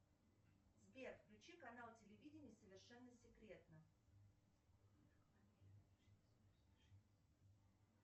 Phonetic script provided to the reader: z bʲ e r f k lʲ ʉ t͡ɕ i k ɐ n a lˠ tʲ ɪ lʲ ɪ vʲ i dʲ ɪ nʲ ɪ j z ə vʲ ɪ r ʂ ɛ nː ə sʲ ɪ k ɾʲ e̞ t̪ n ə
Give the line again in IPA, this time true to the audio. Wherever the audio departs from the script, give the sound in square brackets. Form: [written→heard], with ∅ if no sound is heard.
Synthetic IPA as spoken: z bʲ e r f k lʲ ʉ t͡ɕ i k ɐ n a lˠ tʲ ɪ lʲ ɪ vʲ i dʲ ɪ nʲ ɪ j [z→s] ə vʲ ɪ r ʂ ɛ nː ə sʲ ɪ k ɾʲ e̞ t̪ n ə